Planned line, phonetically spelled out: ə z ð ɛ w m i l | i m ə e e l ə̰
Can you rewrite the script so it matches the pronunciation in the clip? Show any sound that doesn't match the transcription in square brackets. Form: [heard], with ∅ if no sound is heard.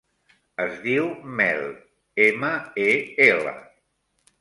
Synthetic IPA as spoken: ə z ð [i] w m [ɛ] l | [e] m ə e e l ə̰